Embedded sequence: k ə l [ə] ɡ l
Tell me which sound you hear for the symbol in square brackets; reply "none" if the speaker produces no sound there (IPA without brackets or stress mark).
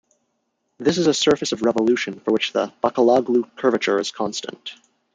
ɑ